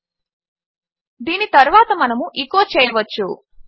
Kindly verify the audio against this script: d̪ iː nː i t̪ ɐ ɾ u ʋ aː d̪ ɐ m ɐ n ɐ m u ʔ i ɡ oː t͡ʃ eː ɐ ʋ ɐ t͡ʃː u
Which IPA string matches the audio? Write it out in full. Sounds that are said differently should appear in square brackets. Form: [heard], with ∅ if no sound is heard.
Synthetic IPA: d̪ iː [n] i t̪ ɐ ɾ u ʋ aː [t̪] ɐ m ɐ n ɐ m u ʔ i [k] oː t͡ʃ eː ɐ ʋ ɐ t͡ʃː u

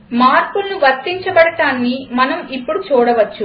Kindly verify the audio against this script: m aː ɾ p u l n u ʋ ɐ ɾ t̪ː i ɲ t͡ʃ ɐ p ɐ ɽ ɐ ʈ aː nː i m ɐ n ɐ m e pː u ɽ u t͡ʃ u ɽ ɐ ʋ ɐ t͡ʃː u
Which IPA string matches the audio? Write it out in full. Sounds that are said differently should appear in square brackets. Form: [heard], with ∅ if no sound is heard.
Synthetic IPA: m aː ɾ p u l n u ʋ ɐ ɾ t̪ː i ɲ t͡ʃ ɐ [b] ɐ ɽ ɐ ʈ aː nː i m ɐ n ɐ m [i] pː u ɽ u t͡ʃ [uː] ɽ ɐ ʋ ɐ t͡ʃː u

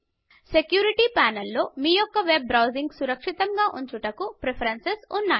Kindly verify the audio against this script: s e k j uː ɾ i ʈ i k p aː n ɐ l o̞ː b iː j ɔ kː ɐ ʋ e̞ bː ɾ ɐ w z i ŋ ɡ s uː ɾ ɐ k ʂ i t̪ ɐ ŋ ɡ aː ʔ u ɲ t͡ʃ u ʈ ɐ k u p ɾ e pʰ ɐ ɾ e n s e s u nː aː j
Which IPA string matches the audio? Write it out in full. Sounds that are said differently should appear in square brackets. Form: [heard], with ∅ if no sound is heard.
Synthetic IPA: s e k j uː ɾ i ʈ i [∅] p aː n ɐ [lː] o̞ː [m] iː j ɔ kː ɐ ʋ e̞ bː ɾ ɐ w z i ŋ ɡ s [u] ɾ ɐ k ʂ i t̪ ɐ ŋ ɡ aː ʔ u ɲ t͡ʃ u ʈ ɐ k u p ɾ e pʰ ɐ ɾ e n s e s u nː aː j

